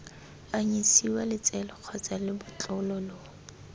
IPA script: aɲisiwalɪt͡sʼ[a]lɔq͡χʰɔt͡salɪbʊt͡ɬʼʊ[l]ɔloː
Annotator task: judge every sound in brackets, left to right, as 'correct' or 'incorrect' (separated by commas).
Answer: incorrect, correct